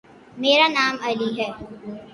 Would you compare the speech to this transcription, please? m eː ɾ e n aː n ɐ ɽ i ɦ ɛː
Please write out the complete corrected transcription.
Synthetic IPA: m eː ɾ a n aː m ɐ l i ɦ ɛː